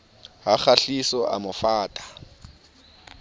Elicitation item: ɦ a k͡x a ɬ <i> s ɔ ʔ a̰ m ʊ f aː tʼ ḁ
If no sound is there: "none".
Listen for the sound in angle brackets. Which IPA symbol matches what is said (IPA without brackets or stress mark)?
i